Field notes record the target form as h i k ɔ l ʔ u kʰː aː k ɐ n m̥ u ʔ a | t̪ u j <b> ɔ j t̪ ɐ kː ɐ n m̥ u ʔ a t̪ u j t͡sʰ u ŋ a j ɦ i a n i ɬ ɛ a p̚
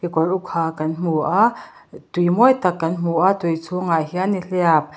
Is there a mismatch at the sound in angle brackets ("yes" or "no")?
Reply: yes